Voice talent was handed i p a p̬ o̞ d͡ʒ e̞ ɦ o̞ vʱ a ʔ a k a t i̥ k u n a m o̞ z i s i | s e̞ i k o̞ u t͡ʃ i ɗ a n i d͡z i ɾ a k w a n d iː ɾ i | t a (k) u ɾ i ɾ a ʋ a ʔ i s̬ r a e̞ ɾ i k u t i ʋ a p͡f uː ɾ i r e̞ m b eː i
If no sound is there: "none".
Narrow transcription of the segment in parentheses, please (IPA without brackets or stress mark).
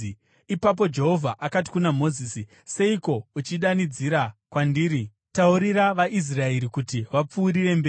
none